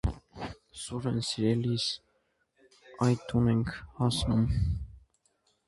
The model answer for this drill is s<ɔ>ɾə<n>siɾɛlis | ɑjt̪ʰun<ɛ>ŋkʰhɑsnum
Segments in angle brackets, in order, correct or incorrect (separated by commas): incorrect, correct, correct